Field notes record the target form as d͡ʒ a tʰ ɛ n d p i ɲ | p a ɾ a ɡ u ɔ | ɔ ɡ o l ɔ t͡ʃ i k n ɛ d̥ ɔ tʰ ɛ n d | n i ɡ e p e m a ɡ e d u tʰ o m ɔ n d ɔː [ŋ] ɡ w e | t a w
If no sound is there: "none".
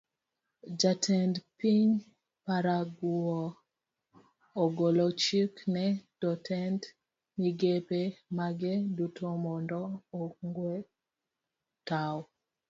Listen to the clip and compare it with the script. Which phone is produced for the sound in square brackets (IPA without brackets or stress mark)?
ŋ